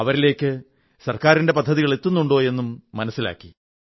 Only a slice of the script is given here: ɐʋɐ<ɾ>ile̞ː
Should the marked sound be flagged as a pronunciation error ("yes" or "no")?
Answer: no